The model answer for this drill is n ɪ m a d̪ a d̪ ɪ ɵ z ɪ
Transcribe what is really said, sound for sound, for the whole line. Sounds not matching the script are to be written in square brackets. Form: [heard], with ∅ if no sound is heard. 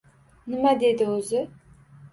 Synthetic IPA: n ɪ m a d̪ [e] d̪ ɪ ɵ z ɪ